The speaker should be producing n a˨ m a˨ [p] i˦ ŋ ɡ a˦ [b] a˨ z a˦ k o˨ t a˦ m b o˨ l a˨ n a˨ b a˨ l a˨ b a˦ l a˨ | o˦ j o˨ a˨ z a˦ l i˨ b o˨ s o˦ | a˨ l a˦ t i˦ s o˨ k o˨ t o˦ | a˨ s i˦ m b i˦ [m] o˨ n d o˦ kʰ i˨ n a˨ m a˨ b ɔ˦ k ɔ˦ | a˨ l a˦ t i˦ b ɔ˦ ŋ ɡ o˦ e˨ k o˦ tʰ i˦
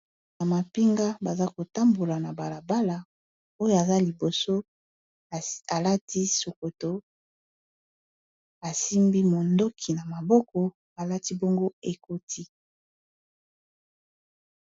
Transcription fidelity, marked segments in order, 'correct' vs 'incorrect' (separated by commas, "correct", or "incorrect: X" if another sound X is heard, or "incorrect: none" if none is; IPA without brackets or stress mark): correct, correct, correct